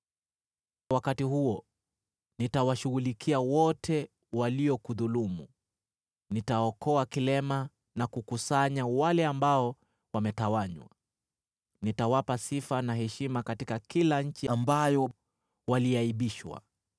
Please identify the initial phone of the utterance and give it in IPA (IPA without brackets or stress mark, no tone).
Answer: w